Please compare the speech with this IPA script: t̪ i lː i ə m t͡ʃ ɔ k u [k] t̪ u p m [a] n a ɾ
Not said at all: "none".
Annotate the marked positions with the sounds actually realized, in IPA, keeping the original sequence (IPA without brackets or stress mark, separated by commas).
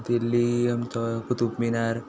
none, i